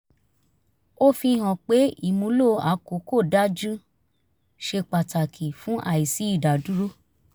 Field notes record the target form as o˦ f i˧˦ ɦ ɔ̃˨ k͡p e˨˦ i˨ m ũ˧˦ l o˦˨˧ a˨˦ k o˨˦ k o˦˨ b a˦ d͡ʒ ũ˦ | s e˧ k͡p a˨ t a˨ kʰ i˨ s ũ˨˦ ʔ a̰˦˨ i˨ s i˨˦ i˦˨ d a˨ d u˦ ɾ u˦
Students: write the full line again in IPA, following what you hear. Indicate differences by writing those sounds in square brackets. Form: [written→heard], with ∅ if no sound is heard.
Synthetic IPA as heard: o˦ f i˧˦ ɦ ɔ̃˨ k͡p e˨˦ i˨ m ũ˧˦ l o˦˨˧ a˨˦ k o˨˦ k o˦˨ [b→d] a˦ d͡ʒ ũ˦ | [s→ʃ] e˧ k͡p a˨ t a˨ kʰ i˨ [s→f] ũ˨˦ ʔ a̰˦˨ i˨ s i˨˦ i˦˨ d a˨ d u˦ ɾ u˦